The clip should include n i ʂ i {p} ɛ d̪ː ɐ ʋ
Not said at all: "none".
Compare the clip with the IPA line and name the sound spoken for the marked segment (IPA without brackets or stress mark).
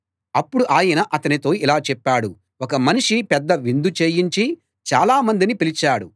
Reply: p